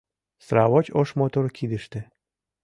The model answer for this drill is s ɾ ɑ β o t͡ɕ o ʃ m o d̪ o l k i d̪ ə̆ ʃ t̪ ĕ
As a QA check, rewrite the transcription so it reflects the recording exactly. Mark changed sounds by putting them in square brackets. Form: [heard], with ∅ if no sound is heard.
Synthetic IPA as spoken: s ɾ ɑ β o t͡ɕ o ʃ m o [t̪] o [ɾ] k i d̪ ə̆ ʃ t̪ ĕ